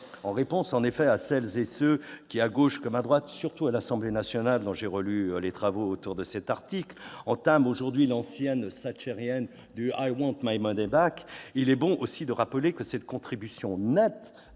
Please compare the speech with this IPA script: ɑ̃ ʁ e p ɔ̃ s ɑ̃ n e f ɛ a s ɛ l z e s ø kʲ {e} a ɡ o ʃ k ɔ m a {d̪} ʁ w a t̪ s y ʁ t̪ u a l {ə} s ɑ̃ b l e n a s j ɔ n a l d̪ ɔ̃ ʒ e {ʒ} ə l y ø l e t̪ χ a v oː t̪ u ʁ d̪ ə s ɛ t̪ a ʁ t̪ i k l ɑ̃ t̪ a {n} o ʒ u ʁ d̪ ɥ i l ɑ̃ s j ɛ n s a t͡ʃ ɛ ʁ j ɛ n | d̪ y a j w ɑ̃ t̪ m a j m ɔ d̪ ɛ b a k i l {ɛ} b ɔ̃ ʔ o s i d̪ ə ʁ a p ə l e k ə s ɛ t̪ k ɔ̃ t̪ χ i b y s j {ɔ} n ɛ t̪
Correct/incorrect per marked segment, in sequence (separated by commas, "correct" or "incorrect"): incorrect, correct, incorrect, incorrect, incorrect, correct, incorrect